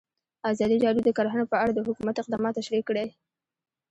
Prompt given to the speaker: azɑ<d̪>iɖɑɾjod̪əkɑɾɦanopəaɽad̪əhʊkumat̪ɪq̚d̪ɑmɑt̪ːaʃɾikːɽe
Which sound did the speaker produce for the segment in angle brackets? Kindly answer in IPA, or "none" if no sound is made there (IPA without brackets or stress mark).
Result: d̪